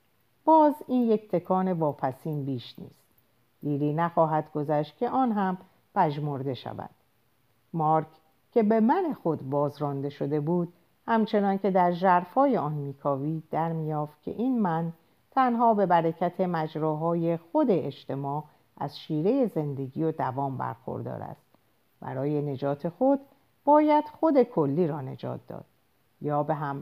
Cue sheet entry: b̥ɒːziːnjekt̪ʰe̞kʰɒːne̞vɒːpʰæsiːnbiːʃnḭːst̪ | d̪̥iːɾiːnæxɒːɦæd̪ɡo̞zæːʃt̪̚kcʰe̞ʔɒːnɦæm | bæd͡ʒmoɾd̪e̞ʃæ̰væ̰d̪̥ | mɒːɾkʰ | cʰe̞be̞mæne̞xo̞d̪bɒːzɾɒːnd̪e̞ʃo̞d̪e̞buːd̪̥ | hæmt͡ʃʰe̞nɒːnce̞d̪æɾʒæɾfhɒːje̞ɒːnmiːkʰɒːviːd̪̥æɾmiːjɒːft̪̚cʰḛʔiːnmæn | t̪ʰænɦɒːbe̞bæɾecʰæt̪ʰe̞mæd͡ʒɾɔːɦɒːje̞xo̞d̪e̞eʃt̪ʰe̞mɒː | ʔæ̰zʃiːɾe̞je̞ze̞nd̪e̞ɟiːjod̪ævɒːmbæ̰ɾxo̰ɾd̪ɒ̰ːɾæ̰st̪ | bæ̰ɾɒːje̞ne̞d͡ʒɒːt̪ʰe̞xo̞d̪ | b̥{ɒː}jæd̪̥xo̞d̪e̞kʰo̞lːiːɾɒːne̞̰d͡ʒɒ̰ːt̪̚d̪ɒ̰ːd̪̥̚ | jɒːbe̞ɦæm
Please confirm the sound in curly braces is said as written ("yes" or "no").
yes